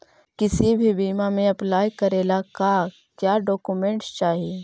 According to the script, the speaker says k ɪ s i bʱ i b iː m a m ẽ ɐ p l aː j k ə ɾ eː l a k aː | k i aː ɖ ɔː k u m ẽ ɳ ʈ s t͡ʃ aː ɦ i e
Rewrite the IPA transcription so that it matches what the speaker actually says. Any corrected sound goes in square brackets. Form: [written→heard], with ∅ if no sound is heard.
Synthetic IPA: k ɪ s i bʱ i b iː m a m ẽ ɐ p l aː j k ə ɾ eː l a k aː | k [i→j] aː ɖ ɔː k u m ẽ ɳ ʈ s t͡ʃ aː ɦ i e